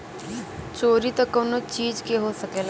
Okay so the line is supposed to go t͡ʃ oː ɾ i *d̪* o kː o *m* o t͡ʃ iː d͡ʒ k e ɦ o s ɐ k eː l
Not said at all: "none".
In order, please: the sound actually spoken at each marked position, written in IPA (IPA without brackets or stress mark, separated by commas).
t̪, n